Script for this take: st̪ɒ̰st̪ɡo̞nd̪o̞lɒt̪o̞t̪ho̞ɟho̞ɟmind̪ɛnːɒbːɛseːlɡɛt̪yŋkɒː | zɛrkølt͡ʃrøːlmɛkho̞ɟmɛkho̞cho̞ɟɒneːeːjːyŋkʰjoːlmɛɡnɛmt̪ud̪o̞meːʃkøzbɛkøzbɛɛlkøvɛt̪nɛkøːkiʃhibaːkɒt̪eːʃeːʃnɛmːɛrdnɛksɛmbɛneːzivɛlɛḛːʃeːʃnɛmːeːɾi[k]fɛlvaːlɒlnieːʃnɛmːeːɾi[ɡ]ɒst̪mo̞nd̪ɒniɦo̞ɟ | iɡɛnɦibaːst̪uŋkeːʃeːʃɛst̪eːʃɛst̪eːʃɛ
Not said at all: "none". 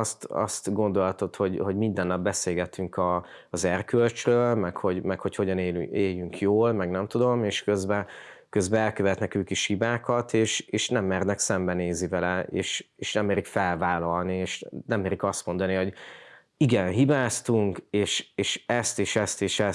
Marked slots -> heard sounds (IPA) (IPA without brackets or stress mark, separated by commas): k, k